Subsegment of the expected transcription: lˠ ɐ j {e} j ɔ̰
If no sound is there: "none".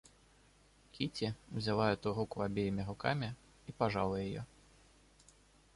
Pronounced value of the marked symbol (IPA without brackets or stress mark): a